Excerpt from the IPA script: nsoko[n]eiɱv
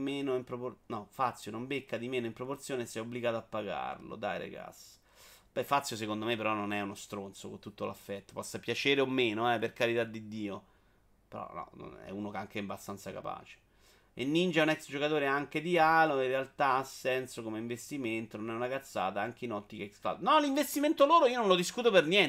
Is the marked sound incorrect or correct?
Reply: incorrect